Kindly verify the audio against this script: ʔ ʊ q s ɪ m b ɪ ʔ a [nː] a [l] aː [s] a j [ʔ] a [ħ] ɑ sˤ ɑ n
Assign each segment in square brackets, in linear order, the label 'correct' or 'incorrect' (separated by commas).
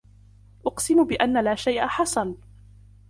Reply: correct, correct, incorrect, correct, correct